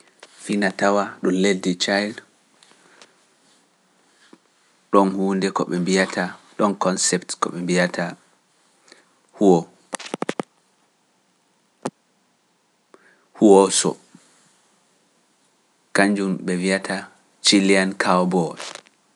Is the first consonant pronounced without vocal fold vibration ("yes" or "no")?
yes